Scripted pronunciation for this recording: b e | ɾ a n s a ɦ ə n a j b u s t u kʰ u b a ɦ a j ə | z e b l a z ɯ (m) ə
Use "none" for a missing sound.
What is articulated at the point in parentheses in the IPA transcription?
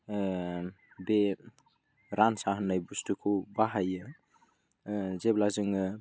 ŋ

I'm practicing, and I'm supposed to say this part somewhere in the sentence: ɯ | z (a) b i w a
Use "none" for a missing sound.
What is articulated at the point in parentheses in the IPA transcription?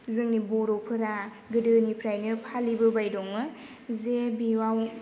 e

